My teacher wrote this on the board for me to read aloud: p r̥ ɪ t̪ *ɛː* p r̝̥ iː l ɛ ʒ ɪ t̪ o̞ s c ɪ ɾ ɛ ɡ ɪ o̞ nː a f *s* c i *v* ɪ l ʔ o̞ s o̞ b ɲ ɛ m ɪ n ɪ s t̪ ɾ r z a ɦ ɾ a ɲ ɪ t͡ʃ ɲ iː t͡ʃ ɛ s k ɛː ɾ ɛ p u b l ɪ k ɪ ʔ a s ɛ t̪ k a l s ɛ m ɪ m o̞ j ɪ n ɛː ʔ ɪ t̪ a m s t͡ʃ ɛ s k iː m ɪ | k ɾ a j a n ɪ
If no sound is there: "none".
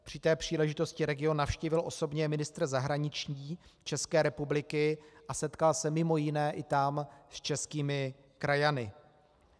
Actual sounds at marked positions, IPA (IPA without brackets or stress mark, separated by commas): ɛː, ʃ, v